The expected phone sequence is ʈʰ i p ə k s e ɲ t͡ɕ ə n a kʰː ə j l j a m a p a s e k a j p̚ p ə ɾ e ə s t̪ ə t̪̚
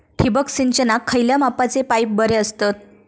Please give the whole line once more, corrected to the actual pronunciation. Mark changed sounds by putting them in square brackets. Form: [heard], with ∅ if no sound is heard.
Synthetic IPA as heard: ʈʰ i [b] ə k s [i] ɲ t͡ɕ ə n a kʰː ə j l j a m a p a [t͡s] e [p] a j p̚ [b] ə ɾ e ə s t̪ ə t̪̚